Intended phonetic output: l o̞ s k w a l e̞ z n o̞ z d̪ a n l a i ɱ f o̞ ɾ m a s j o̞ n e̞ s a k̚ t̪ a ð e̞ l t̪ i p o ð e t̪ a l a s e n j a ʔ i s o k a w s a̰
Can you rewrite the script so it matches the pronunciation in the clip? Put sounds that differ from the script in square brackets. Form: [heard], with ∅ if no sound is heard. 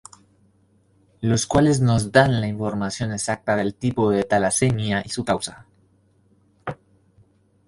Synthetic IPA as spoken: l o̞ s k w a l e̞ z n o̞ z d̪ a n l a i ɱ f o̞ ɾ m a s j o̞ n e̞ s a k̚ t̪ a ð e̞ l t̪ i p o ð e t̪ a l a s e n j a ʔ i s [u] k a w s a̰